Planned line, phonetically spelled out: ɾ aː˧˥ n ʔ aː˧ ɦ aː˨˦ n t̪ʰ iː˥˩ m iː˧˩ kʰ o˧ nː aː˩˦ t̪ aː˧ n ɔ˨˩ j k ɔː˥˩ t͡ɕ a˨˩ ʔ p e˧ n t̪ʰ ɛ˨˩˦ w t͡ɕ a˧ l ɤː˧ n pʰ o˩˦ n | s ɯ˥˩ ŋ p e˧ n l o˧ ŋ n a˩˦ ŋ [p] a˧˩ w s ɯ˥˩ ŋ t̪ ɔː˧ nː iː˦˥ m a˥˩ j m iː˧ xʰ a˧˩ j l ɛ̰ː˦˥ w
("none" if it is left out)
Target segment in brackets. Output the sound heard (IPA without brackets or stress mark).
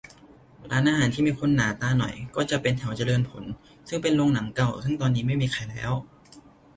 k